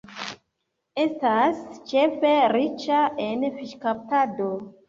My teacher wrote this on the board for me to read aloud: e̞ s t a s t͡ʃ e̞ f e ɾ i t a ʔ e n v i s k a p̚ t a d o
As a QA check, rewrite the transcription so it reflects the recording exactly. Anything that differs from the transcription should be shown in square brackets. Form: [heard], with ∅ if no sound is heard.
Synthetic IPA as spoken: e̞ s t a s t͡ʃ e̞ f e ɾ i [t͡ʃ] a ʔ e n [f] i [ʃ] k a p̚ t a d o